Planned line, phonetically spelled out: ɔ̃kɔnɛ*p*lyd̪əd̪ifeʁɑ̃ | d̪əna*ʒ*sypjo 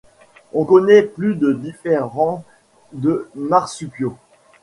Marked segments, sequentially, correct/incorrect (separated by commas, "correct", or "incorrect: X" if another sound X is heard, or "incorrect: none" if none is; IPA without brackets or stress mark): correct, incorrect: ʁ